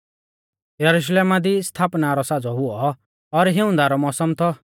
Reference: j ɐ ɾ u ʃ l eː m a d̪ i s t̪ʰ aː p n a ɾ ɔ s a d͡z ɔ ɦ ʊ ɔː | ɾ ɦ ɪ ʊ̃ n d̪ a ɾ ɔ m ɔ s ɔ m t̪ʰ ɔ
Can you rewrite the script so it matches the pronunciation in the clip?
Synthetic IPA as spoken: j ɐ ɾ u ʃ l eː m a d̪ i s t̪ʰ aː p n a ɾ ɔ s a d͡z ɔ ɦ ʊ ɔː | ɾ ɦ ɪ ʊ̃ n d̪ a ɾ ɔ m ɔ s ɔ m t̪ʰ ɔ